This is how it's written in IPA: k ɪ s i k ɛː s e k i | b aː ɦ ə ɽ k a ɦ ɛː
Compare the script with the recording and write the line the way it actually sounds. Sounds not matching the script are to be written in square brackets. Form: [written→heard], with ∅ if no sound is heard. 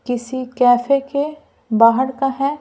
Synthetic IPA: k ɪ s i k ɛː [s→f] e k [i→e] | b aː ɦ ə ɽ k a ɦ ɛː